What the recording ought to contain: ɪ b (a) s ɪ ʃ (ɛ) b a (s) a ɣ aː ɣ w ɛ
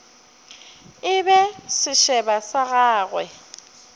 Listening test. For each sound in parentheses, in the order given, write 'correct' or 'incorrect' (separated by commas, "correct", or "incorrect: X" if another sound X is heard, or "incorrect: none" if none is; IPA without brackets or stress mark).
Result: incorrect: ɛ, correct, correct